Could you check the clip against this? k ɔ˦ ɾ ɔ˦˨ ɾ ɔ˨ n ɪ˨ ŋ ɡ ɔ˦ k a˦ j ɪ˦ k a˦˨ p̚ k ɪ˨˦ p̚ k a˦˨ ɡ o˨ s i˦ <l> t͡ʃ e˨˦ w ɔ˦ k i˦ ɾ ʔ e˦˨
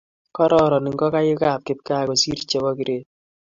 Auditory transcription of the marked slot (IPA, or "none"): ɾ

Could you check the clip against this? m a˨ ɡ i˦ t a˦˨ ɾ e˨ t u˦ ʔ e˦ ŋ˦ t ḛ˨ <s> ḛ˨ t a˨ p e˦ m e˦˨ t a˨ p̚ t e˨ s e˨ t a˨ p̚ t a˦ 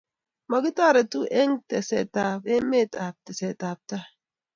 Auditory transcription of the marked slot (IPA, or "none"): s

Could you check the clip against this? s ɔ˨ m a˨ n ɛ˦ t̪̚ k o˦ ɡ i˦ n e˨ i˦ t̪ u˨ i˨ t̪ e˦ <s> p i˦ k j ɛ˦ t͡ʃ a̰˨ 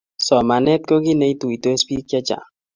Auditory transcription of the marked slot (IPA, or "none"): s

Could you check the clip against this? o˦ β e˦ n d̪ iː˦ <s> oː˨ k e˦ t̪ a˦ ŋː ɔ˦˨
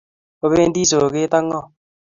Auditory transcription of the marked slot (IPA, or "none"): s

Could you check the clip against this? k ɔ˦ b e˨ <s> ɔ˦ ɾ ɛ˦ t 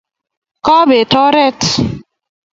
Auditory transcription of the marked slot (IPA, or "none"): t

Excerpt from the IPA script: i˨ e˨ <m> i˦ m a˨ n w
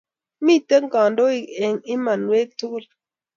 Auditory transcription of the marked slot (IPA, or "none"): ŋ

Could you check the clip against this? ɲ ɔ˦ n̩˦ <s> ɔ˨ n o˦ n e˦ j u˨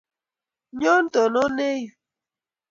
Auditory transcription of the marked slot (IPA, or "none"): t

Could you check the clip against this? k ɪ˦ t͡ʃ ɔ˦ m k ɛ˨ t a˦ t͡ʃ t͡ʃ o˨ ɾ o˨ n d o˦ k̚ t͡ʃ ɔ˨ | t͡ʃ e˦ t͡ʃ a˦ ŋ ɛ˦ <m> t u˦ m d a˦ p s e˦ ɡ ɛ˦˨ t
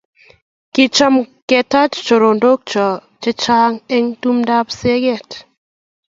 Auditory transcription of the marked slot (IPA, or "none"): ŋ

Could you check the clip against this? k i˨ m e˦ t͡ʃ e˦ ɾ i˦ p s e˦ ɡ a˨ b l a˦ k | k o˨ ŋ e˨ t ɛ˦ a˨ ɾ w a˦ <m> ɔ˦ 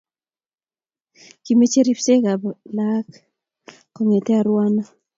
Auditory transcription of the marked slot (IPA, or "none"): n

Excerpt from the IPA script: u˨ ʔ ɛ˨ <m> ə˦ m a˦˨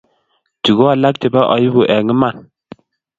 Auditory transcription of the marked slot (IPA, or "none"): ŋ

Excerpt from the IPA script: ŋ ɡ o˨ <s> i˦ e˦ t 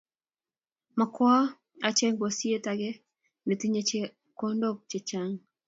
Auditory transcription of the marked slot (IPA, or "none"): s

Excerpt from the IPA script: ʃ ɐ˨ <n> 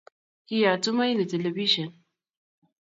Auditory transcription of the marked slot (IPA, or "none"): n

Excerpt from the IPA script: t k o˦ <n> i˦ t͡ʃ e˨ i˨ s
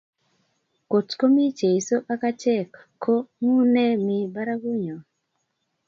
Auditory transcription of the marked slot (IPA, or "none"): m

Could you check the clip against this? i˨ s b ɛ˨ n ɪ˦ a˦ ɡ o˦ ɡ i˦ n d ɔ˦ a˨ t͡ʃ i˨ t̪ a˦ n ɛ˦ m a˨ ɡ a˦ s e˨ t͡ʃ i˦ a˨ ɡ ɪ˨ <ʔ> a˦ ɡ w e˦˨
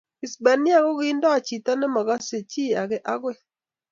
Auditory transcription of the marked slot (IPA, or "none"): ʔ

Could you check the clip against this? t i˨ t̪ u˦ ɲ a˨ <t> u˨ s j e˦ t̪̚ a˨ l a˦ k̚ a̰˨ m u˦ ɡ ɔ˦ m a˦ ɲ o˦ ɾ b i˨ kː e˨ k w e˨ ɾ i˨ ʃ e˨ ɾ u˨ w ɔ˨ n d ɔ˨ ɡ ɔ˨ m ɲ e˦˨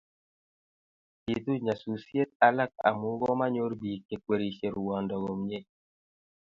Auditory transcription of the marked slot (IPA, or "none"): s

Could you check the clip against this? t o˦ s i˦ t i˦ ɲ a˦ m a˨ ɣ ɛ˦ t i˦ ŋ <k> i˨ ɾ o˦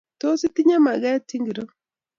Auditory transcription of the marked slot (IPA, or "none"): ɡ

